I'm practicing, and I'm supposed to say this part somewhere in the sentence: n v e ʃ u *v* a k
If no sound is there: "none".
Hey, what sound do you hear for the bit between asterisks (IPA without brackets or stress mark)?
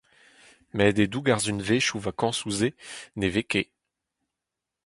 v